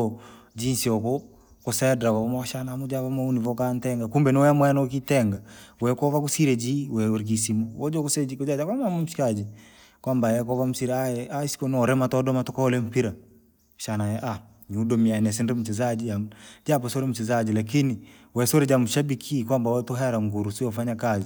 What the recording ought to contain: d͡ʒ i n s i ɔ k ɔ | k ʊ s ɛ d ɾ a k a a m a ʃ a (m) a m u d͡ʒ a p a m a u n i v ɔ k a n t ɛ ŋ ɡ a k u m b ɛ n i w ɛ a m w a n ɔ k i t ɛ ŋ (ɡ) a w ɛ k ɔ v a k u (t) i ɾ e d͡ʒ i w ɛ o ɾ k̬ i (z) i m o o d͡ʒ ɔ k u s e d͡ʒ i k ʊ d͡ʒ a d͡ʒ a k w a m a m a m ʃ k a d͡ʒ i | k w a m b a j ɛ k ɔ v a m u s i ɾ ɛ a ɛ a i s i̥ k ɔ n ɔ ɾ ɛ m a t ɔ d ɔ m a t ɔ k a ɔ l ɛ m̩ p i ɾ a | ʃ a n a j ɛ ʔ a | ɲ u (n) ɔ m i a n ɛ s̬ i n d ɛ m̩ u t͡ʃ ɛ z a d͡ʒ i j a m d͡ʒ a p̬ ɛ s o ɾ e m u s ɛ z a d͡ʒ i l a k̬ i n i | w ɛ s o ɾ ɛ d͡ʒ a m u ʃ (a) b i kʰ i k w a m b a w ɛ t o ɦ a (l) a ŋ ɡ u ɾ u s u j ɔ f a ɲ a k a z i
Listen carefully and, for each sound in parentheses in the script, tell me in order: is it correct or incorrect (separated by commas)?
incorrect, correct, incorrect, incorrect, incorrect, correct, incorrect